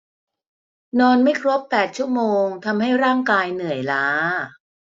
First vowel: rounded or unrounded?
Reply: rounded